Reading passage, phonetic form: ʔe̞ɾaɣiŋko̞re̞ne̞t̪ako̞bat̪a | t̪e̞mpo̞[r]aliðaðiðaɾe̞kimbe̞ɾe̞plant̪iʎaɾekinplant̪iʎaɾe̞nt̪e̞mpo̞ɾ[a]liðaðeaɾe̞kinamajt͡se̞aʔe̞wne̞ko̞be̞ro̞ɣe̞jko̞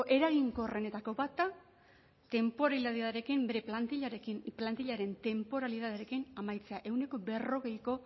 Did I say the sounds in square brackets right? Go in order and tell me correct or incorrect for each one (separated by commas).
incorrect, correct